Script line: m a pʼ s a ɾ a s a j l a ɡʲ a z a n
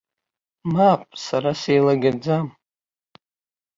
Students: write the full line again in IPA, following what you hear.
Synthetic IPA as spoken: m a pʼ s a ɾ a s e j l a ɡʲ a d͡z a m